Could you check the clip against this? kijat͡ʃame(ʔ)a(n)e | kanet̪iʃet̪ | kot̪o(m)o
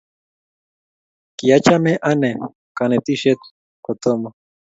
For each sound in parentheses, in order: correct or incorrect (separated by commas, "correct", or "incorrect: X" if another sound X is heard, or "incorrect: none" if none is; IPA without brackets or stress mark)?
correct, correct, correct